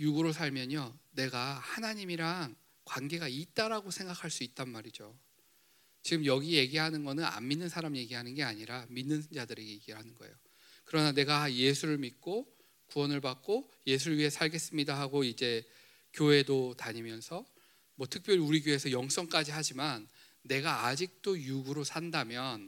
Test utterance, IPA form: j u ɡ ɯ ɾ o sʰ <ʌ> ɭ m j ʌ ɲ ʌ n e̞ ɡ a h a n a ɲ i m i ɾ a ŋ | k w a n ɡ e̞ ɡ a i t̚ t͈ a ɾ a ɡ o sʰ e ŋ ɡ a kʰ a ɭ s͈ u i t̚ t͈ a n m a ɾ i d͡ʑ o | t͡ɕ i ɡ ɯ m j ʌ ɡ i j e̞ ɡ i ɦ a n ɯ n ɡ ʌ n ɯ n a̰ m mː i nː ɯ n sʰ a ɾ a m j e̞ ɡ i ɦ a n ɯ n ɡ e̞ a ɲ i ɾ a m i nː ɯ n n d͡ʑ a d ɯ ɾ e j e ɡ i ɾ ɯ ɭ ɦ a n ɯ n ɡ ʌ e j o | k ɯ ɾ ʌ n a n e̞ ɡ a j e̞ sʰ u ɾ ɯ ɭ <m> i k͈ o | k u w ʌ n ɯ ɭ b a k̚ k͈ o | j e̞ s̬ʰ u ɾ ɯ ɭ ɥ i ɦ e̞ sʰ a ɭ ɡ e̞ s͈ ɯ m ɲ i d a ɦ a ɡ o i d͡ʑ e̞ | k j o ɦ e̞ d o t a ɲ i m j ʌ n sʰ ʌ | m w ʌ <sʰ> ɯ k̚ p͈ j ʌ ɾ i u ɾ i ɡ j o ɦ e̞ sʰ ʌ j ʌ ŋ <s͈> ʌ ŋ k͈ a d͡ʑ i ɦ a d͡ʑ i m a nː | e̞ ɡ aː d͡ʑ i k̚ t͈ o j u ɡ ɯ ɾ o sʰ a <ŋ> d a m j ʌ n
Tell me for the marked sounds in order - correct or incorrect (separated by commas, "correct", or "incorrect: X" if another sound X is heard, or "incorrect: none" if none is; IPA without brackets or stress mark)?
incorrect: a, correct, incorrect: tʰ, correct, incorrect: n